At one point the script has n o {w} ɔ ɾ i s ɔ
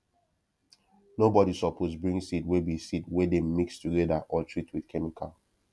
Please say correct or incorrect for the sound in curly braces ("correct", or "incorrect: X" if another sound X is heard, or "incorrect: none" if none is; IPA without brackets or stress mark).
incorrect: b